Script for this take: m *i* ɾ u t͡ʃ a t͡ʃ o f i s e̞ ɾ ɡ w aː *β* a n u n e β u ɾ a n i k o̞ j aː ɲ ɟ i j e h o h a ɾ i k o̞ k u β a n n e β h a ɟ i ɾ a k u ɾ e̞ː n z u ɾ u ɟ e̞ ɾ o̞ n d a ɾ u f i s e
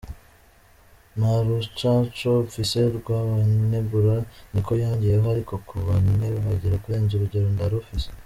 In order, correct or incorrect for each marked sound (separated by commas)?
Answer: incorrect, correct